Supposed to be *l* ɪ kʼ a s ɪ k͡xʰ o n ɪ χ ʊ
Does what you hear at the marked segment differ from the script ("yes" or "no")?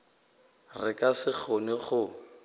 yes